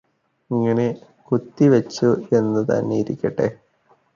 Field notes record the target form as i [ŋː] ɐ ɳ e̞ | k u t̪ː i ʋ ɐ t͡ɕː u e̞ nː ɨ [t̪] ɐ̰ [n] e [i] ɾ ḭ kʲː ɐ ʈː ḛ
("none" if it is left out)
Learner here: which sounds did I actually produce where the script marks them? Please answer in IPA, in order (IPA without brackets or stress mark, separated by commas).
ŋː, t̪, nː, i